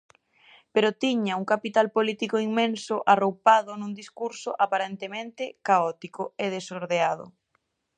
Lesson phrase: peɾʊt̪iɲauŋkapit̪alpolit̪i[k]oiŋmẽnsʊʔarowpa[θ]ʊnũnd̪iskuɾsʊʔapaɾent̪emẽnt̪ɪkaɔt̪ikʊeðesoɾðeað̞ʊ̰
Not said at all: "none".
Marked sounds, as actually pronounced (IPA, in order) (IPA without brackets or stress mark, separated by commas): k, ð